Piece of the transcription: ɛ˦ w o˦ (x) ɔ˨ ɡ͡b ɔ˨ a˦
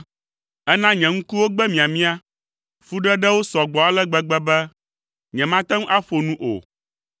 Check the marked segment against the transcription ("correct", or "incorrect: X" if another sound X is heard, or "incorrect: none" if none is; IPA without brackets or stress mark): incorrect: s